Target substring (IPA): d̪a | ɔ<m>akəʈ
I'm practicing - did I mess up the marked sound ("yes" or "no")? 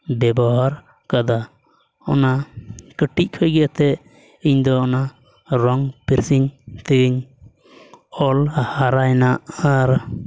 yes